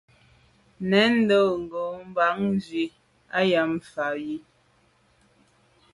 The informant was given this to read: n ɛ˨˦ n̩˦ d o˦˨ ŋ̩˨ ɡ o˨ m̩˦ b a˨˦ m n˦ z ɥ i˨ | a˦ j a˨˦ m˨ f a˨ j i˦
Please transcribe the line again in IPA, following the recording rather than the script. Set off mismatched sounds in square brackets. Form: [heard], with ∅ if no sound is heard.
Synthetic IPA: n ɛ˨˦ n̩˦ d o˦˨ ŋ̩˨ ɡ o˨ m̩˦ b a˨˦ [ŋ] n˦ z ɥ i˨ | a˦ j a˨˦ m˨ f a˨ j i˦